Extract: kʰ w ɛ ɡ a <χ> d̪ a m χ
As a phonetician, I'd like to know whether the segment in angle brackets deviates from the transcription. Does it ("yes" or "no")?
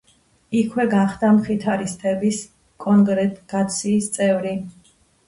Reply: no